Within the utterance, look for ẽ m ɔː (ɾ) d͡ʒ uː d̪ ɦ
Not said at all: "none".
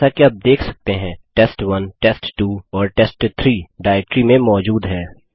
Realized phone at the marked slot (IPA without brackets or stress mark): none